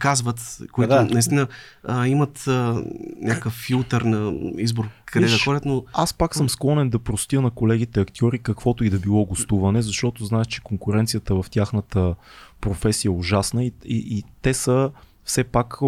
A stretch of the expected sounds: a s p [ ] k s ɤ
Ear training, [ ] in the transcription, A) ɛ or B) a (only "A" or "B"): B